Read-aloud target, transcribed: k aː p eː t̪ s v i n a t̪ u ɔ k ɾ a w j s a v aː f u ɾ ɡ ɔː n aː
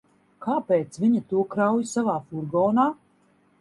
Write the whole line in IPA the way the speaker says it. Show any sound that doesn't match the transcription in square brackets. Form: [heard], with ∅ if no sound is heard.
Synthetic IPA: k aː p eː t̪ s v i [ɲ] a t̪ u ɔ k ɾ a w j s a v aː f u ɾ ɡ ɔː n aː